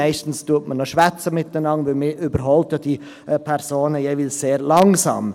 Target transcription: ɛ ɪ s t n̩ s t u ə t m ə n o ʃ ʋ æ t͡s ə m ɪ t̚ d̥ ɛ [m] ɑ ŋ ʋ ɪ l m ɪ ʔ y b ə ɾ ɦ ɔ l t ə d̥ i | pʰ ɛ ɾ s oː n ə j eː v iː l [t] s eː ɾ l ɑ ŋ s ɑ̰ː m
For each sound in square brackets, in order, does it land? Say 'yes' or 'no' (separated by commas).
no, no